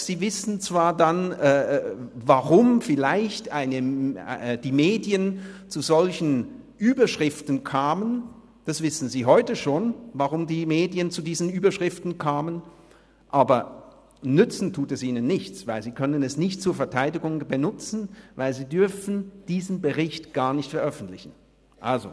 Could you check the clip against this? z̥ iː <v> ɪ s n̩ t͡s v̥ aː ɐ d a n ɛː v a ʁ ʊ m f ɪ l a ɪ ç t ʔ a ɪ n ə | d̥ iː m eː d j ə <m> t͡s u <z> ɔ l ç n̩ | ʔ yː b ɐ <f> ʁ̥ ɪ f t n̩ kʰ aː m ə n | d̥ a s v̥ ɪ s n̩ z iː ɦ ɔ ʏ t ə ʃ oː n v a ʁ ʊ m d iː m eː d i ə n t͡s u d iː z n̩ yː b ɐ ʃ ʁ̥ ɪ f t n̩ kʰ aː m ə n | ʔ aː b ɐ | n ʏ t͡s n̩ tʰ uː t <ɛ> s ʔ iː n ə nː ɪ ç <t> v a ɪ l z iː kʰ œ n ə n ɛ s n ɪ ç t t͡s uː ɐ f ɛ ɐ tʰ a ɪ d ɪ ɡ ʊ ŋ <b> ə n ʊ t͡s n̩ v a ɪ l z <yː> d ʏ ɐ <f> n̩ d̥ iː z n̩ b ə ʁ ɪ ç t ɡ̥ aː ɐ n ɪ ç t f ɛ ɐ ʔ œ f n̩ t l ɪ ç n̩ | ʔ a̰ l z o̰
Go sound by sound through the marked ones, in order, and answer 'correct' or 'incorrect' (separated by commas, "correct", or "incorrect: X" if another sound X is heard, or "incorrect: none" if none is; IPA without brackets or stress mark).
correct, incorrect: n, correct, incorrect: ʃ, correct, incorrect: t͡s, correct, incorrect: iː, correct